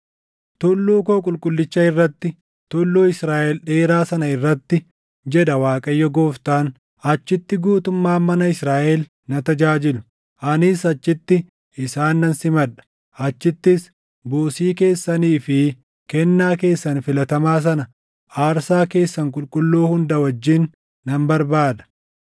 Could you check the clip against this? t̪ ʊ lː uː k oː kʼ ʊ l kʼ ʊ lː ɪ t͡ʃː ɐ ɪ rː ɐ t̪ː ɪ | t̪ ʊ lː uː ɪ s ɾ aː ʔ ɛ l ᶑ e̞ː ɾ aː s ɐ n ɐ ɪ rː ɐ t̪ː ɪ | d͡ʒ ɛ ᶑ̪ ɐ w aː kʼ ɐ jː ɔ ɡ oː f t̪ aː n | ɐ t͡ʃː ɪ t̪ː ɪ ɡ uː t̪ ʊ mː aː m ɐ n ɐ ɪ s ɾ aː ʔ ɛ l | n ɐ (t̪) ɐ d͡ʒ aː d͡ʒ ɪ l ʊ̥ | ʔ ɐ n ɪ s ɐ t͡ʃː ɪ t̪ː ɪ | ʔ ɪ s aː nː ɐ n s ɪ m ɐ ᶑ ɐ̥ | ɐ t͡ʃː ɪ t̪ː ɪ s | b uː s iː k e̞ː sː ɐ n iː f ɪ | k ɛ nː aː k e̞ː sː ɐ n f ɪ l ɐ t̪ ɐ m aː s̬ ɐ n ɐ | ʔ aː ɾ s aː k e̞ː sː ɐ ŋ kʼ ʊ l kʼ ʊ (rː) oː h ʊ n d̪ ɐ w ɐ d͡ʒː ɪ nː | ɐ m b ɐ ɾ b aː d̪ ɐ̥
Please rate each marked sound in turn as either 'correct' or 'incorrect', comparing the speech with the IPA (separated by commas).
correct, incorrect